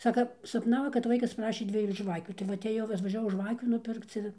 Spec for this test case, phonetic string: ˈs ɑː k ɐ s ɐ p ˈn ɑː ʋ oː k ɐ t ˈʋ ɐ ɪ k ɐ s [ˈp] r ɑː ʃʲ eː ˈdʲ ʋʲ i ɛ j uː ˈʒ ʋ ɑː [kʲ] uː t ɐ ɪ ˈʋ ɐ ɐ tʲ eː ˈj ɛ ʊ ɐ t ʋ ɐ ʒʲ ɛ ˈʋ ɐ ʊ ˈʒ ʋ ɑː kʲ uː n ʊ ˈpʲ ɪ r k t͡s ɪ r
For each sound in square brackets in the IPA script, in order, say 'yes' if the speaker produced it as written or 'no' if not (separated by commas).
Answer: yes, yes